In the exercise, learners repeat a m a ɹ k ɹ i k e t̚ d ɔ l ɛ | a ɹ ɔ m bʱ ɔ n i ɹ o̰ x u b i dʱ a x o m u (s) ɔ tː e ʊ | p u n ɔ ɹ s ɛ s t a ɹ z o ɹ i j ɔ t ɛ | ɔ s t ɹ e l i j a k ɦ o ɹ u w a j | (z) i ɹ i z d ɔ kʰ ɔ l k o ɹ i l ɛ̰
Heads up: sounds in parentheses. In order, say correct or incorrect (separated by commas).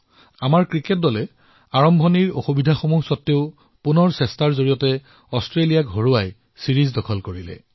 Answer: correct, incorrect